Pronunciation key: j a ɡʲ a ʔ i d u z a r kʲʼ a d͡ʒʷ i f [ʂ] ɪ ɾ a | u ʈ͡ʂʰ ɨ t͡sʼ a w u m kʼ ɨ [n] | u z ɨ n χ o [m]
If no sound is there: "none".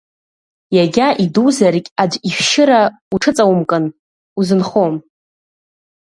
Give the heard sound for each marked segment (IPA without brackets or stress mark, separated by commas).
ʃ, n, m